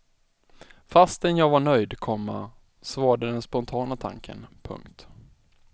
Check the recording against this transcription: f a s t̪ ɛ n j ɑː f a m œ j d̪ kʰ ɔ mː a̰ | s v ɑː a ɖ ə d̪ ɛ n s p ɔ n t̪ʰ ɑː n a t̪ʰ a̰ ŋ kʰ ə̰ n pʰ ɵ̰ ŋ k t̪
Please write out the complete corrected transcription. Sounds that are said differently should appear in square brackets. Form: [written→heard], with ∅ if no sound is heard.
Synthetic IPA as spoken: f a s t̪ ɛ n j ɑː [f→v] a [m→ɳ] œ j d̪ kʰ ɔ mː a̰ | s v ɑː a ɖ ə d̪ ɛ n s p ɔ n t̪ʰ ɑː n a t̪ʰ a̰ ŋ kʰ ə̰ n pʰ ɵ̰ ŋ k t̪